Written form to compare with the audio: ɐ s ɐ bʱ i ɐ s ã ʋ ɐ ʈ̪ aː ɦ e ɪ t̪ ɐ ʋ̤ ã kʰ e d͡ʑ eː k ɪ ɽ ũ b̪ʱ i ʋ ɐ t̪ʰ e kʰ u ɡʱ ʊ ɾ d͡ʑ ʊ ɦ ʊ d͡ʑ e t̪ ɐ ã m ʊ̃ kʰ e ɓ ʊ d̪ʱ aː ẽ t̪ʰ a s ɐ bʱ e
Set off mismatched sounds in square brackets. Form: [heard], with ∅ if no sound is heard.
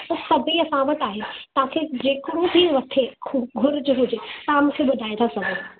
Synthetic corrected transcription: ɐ s ɐ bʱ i ɐ s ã ʋ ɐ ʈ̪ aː ɦ e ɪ t̪ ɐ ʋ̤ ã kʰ e d͡ʑ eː k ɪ ɽ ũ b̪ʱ i ʋ ɐ t̪ʰ e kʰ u ɡʱ ʊ ɾ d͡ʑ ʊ ɦ ʊ d͡ʑ e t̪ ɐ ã m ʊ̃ kʰ e ɓ ʊ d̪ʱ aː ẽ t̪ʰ a s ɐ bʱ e